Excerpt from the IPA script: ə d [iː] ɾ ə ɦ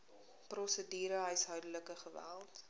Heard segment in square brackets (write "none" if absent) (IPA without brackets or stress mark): iː